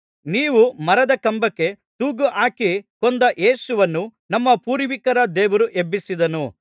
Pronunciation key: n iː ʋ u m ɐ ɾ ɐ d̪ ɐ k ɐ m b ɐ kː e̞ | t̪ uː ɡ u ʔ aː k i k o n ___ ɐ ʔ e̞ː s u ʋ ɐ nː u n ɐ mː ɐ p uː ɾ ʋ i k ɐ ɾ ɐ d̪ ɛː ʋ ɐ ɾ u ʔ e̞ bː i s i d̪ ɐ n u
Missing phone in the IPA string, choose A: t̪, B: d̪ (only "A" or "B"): B